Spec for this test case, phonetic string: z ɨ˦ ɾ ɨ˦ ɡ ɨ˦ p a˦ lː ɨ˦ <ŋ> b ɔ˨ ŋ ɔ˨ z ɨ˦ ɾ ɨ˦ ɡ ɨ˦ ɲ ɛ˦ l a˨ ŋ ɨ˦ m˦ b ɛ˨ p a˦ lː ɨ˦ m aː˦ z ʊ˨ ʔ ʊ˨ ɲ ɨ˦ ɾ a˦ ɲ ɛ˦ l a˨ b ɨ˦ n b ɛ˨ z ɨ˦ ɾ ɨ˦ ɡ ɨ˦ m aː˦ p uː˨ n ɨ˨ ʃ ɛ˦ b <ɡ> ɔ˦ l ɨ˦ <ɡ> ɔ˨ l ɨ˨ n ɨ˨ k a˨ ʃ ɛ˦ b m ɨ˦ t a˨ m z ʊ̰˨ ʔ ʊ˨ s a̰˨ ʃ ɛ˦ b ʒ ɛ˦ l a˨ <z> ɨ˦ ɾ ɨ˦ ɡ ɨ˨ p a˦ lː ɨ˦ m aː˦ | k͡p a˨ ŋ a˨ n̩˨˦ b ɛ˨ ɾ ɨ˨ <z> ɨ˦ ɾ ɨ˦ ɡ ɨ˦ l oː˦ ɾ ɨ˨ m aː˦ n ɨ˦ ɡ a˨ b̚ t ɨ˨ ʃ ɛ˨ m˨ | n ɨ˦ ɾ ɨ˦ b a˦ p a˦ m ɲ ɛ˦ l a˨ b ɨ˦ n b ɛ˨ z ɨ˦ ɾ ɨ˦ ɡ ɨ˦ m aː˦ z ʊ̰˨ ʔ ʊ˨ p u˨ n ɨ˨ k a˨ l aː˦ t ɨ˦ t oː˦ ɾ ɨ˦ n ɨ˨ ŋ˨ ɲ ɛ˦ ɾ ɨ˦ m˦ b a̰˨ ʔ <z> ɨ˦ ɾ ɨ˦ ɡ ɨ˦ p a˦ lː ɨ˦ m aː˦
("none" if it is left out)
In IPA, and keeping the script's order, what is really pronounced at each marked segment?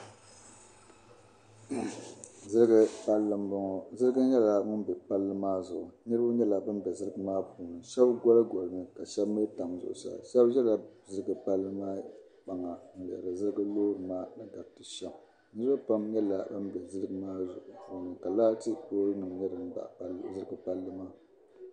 m, ɡ, ɡ, z, z, z

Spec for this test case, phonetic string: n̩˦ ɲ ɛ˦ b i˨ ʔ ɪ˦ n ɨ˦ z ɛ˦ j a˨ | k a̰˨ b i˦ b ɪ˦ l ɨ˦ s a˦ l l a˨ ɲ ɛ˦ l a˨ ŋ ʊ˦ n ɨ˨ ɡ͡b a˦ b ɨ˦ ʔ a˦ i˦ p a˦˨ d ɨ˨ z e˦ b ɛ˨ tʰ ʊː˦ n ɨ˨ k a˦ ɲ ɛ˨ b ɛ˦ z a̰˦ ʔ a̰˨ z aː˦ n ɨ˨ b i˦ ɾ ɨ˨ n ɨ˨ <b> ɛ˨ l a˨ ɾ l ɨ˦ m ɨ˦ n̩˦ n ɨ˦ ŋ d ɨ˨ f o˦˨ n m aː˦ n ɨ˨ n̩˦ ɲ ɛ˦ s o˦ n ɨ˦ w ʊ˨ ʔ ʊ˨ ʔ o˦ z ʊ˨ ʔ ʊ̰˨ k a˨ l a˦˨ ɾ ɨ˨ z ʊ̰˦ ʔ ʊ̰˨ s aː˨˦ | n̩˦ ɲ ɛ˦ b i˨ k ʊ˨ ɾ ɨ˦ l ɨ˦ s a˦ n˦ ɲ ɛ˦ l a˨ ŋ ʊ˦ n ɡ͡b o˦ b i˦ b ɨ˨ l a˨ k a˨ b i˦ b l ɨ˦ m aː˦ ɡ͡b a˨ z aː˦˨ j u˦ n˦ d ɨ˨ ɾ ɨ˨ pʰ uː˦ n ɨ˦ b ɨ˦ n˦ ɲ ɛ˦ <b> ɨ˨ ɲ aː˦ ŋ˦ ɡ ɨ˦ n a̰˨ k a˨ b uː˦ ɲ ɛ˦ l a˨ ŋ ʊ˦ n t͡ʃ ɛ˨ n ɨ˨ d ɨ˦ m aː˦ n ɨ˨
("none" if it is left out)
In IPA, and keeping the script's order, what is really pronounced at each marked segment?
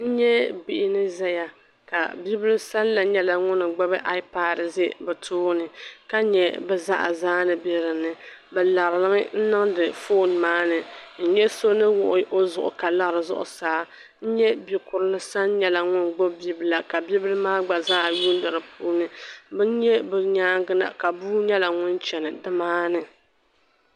b, b

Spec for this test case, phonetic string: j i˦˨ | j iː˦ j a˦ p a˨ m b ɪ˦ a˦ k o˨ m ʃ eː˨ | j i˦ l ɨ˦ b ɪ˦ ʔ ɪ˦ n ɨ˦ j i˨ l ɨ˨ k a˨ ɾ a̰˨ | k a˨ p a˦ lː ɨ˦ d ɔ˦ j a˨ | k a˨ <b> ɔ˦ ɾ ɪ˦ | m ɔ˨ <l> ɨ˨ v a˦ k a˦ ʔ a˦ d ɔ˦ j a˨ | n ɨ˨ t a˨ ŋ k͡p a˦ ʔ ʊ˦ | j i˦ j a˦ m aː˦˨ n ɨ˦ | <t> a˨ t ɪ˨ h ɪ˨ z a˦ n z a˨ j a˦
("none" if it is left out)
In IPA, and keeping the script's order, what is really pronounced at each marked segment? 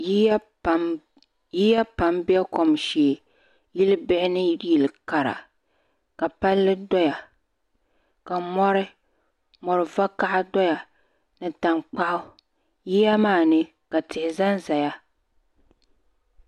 m, ɾ, k

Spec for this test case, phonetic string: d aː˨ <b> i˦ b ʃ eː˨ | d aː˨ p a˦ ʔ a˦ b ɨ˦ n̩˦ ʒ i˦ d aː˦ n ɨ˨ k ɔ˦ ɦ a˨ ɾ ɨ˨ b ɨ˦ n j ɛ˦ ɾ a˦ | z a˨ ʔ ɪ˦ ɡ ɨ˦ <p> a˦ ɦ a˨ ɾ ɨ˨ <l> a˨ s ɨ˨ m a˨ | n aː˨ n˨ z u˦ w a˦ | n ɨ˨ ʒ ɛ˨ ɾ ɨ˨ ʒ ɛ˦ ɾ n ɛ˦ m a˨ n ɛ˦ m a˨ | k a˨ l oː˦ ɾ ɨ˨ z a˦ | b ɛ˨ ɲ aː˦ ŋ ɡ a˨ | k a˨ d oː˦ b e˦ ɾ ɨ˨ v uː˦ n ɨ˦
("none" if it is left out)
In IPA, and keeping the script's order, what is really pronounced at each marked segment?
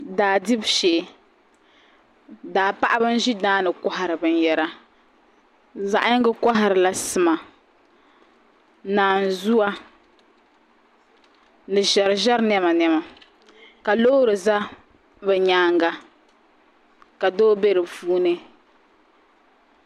d, k, l

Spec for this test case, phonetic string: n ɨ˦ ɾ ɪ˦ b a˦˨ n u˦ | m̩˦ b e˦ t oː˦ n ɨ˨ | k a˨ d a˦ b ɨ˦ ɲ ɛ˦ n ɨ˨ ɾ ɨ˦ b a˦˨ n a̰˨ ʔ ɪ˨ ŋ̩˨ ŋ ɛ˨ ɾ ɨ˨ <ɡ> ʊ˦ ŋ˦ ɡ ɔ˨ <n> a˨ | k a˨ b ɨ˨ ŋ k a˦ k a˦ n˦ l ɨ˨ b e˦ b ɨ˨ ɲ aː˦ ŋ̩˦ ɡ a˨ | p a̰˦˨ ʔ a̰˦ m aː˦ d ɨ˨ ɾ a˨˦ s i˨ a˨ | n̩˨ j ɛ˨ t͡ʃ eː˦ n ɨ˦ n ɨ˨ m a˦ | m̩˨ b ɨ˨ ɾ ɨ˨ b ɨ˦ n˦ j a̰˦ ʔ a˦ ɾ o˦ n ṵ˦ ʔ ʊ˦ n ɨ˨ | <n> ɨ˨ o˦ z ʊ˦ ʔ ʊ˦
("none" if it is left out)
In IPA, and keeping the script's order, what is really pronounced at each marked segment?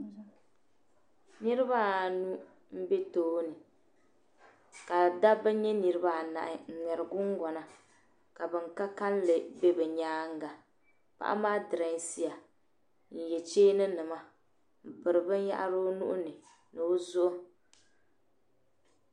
ɡ, n, n

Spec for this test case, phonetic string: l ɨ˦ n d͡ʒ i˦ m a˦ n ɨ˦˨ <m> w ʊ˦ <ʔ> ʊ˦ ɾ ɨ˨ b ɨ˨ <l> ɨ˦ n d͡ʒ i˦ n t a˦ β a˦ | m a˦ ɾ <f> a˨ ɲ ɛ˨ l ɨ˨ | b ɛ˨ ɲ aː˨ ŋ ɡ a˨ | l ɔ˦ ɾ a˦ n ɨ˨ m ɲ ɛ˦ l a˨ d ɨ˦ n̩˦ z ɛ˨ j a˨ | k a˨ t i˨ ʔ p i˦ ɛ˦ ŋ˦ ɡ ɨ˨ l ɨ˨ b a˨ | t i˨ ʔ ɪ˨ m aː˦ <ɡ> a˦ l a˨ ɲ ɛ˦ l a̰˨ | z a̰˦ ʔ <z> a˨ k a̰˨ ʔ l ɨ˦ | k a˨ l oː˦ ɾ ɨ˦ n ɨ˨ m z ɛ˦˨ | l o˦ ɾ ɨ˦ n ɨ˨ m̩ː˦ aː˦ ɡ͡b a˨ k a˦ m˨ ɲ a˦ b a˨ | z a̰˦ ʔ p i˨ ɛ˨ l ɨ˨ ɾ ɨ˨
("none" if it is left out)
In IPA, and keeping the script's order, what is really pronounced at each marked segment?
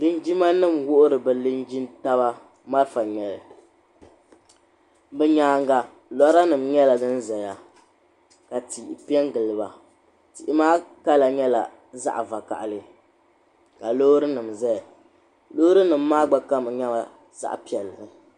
m, ʔ, l, f, k, v

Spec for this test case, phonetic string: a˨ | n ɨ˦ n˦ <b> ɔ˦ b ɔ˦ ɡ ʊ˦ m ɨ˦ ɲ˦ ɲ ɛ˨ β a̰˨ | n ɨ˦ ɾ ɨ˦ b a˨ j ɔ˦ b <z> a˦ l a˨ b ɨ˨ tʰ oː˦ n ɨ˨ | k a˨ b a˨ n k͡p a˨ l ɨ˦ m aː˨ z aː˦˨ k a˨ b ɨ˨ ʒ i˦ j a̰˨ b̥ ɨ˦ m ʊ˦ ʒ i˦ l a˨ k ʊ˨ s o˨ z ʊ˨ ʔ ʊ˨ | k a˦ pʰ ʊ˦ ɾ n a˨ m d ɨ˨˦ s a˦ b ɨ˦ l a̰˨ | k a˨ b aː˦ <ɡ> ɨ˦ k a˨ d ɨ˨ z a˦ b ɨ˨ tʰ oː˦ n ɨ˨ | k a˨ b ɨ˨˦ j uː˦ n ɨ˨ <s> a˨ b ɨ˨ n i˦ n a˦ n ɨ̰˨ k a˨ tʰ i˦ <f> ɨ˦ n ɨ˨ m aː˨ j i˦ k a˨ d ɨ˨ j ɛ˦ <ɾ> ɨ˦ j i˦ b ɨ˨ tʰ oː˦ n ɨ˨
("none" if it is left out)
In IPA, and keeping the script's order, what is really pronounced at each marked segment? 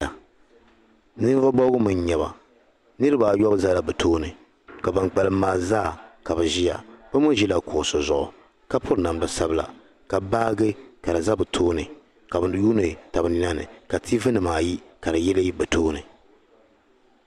v, z, ɡ, t, v, l

